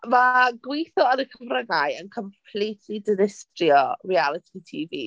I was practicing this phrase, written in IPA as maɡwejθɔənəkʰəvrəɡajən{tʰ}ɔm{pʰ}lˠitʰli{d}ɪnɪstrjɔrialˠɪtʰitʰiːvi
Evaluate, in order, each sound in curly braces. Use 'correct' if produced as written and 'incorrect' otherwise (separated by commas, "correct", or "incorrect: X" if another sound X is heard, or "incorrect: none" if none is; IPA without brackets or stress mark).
incorrect: kʰ, correct, correct